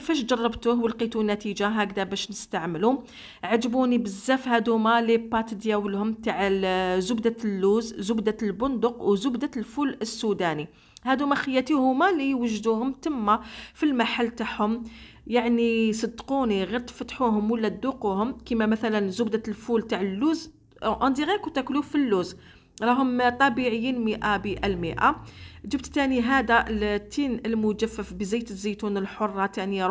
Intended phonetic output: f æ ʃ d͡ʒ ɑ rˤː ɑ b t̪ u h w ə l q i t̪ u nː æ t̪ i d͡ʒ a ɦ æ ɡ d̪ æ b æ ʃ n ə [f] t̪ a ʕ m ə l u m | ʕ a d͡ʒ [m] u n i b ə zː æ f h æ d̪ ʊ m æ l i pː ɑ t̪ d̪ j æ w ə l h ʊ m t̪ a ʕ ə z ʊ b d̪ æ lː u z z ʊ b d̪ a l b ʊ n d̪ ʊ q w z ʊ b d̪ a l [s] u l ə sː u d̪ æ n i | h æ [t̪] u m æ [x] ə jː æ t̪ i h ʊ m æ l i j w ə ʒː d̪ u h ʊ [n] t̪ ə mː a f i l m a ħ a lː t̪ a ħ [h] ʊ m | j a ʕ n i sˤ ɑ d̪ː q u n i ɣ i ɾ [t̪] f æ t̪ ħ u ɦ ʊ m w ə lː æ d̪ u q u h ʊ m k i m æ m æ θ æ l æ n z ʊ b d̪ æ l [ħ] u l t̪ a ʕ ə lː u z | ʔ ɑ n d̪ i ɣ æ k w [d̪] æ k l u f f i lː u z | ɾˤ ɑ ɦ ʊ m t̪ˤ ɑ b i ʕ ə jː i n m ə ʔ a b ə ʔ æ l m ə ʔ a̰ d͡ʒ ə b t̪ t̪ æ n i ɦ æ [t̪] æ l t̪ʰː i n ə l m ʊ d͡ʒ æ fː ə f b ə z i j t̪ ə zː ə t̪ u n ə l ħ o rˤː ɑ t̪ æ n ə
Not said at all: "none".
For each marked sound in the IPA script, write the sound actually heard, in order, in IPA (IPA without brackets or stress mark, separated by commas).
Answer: s, b, f, d̪, x, m, h, t̪, f, t̪, d̪